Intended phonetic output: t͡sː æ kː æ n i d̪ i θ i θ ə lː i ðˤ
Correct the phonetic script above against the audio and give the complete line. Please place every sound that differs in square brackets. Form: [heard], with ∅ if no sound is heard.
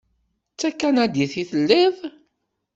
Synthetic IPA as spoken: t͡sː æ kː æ n [æ] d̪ i θ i θ ə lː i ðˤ